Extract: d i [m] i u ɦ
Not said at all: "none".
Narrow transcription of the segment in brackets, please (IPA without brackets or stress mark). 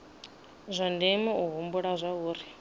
m